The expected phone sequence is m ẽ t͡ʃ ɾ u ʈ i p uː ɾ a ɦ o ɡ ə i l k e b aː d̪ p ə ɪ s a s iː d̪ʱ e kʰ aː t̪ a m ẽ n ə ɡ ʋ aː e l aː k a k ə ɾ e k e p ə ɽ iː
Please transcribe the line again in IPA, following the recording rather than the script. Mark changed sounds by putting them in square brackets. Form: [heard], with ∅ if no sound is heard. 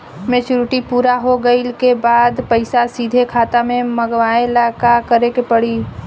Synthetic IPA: m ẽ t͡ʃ ɾ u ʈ i p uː ɾ a ɦ o ɡ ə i l k e b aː d̪ p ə ɪ s a s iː d̪ʱ e kʰ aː t̪ a m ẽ [m] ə ɡ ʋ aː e l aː k a k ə ɾ e k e p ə ɽ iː